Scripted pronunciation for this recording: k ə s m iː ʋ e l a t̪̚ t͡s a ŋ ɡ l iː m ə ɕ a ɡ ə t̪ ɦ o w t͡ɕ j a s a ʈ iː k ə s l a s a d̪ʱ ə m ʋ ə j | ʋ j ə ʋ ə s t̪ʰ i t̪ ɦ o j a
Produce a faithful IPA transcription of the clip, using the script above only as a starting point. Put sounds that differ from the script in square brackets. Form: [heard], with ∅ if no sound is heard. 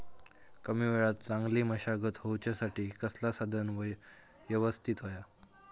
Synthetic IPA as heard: k ə [∅] m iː ʋ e [ɭ] a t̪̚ t͡s a ŋ ɡ l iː m ə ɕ a ɡ ə t̪ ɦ o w t͡ɕ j a s a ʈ iː k ə s l a s a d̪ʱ ə [n] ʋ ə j | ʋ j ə ʋ ə s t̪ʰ i t̪ ɦ o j a